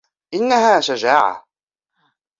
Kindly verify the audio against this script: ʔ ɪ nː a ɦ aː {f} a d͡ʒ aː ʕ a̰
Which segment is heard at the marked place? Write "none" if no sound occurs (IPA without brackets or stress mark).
ʃ